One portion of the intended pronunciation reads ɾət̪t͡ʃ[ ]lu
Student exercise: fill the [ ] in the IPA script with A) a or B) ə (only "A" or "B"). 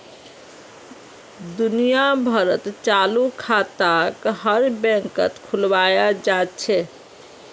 A